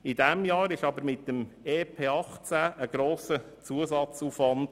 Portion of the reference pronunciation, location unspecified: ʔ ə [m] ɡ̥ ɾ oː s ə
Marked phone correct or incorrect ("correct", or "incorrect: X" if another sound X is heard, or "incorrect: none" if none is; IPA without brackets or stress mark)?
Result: incorrect: none